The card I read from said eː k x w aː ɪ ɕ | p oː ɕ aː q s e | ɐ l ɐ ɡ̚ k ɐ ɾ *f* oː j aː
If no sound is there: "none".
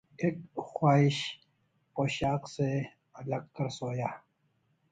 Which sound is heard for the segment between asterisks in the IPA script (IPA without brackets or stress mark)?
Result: s